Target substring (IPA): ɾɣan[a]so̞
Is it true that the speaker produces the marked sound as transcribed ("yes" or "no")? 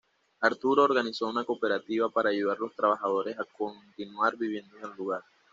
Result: no